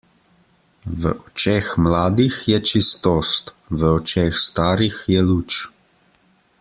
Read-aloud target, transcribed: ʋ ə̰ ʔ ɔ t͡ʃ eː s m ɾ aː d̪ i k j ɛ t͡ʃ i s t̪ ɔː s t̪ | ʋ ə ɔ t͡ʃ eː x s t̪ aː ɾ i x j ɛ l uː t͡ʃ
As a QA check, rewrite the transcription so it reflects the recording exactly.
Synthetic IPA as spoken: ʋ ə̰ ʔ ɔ t͡ʃ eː x m l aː d̪ i x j ɛ t͡ʃ i s t̪ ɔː s t̪ | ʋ ə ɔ t͡ʃ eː x s t̪ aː ɾ i x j ɛ l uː t͡ʃ